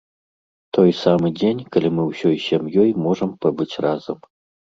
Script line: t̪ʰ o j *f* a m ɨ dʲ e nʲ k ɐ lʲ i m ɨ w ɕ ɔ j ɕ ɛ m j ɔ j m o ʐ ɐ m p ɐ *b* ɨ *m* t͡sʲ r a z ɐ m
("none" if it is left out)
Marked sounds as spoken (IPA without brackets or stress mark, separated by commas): s, b, none